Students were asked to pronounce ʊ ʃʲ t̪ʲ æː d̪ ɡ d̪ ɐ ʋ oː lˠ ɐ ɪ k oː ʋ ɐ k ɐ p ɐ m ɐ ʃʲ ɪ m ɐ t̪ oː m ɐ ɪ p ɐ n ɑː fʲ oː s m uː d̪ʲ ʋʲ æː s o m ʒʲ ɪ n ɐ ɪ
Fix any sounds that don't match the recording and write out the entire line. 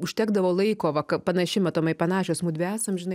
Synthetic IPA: ʊ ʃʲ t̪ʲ æː ɡ d̪ ɐ ʋ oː lˠ ɐ ɪ k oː ʋ ɐ k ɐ p ɐ n ɐ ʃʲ ɪ m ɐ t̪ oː m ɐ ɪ p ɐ n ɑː ʃʲ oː s m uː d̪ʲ ʋʲ æː s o m ʒʲ ɪ n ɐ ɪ

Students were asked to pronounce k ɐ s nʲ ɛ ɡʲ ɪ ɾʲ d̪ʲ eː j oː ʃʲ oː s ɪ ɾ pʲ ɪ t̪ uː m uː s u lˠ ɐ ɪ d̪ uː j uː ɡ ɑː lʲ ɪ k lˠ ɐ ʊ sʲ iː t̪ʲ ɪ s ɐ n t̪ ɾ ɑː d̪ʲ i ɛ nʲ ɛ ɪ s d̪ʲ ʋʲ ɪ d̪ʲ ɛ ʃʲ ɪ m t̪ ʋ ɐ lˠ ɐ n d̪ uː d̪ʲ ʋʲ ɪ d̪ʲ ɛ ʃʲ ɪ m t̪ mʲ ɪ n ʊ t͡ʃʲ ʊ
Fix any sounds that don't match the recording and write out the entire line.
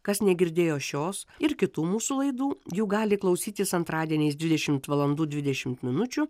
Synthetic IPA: k ɐ s nʲ ɛ ɡʲ ɪ ɾʲ d̪ʲ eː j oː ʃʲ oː s ɪ ɾ kʲ ɪ t̪ uː m uː s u lˠ ɐ ɪ d̪ uː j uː ɡ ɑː lʲ ɪ k lˠ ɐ ʊ sʲ iː t̪ʲ ɪ s ɐ n t̪ ɾ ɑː d̪ʲ i ɛ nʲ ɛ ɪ s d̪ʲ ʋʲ ɪ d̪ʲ ɛ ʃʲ ɪ m t̪ ʋ ɐ lˠ ɐ n d̪ uː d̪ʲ ʋʲ ɪ d̪ʲ ɛ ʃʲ ɪ m t̪ mʲ ɪ n ʊ t͡ʃʲ ʊ

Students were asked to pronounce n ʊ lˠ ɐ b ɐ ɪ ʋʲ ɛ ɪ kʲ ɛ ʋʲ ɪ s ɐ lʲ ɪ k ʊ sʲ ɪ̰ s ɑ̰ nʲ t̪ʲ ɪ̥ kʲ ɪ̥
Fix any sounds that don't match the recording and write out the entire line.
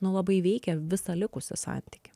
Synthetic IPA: n ʊ lˠ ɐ b ɐ ɪ ʋʲ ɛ ɪ kʲ ɛ ʋʲ ɪ s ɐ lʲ ɪ k ʊ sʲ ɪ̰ s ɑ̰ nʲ t̪ʲ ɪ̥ kʲ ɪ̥

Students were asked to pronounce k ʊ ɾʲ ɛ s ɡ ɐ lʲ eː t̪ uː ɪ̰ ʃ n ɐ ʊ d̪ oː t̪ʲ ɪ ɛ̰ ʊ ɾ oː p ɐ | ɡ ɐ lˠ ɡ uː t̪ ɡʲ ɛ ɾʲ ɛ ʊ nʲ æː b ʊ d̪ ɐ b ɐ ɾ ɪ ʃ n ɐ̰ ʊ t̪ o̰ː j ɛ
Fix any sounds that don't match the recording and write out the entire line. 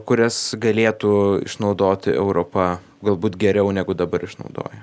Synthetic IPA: k ʊ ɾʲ ɛ s ɡ ɐ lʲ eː t̪ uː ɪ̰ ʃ n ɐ ʊ d̪ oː t̪ʲ ɪ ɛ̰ ʊ ɾ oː p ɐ | ɡ ɐ lˠ b uː t̪ ɡʲ ɛ ɾʲ ɛ ʊ nʲ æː ɡ ʊ d̪ ɐ b ɐ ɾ ɪ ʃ n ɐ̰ ʊ d̪ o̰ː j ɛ

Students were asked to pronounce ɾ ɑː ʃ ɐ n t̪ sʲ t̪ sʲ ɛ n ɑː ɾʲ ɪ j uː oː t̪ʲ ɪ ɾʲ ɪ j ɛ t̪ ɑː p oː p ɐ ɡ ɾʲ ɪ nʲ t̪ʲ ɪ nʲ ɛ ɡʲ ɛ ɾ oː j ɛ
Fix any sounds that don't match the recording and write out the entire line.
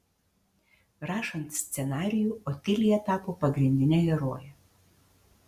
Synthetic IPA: ɾ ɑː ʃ ɐ n t̪ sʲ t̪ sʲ ɛ n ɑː ɾʲ ɪ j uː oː t̪ʲ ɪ lʲ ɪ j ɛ t̪ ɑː p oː p ɐ ɡ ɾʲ ɪ nʲ d̪ʲ ɪ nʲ ɛ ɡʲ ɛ ɾ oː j ɛ

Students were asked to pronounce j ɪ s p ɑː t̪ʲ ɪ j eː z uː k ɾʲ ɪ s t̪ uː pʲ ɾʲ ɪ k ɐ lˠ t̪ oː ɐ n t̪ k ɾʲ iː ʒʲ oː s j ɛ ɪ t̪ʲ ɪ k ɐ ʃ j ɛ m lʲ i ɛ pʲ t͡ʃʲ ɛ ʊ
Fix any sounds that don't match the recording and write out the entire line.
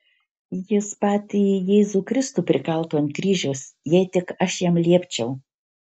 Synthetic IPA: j ɪ s p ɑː t̪ʲ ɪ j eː z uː k ɾʲ ɪ s t̪ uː pʲ ɾʲ ɪ k ɐ lˠ t̪ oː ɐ n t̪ k ɾʲ iː ʒʲ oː s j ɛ ɪ t̪ʲ ɪ k ɐ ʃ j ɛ m lʲ i ɛ pʲ t͡ʃʲ ɛ ʊ

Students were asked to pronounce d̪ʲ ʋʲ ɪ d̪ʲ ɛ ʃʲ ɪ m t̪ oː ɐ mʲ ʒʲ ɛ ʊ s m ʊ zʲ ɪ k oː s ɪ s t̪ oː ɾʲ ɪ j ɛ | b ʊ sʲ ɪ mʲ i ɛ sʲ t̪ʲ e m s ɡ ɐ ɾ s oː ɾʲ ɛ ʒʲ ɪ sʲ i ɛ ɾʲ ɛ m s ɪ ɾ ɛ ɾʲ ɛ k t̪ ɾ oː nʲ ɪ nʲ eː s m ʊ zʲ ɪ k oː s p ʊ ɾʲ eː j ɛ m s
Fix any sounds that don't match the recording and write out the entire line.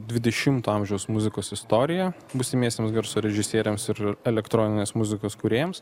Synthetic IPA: d̪ʲ ʋʲ ɪ d̪ʲ ɛ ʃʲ ɪ m t̪ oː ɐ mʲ ʒʲ ɛ ʊ s m ʊ zʲ ɪ k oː s ɪ s t̪ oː ɾʲ ɪ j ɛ | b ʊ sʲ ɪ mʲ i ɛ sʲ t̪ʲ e m s ɡ ɐ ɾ s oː ɾʲ ɛ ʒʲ ɪ sʲ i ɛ ɾʲ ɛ m s ɪ ɾ ɛ lʲ ɛ k t̪ ɾ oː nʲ ɪ nʲ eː s m ʊ zʲ ɪ k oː s k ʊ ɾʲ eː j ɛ m s

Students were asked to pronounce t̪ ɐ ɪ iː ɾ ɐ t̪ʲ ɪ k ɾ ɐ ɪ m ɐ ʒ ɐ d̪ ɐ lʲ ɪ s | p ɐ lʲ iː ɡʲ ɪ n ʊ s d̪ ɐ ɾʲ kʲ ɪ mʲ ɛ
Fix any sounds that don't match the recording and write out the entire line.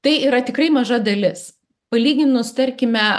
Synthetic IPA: t̪ ɐ ɪ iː ɾ ɐ t̪ʲ ɪ k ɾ ɐ ɪ m ɐ ʒ ɐ d̪ ɐ lʲ ɪ s | p ɐ lʲ iː ɡʲ ɪ n ʊ s t̪ ɐ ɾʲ kʲ ɪ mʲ ɛ

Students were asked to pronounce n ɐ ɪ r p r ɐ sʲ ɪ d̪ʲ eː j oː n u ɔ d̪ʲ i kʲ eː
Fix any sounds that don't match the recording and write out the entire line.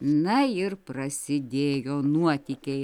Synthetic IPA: n ɐ ɪ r p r ɐ sʲ ɪ d̪ʲ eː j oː n u ɔ t̪ʲ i kʲ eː

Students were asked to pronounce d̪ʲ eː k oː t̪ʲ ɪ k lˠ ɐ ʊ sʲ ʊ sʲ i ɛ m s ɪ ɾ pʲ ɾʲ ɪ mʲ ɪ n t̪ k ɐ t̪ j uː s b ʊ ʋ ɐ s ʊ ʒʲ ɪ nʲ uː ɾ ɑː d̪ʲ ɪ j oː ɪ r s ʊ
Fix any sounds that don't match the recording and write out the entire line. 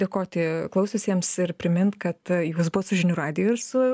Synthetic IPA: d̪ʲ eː k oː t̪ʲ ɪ k lˠ ɐ ʊ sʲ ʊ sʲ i ɛ m s ɪ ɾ pʲ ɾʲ ɪ mʲ ɪ n t̪ k ɐ t̪ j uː s b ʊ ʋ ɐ s ʊ ʒʲ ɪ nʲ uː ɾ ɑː d̪ʲ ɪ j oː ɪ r s ʊ

